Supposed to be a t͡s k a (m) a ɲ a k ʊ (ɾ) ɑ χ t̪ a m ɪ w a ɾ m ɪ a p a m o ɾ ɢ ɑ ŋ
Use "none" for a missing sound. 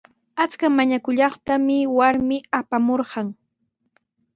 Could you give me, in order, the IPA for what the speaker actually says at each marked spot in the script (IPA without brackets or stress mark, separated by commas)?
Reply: m, ʎ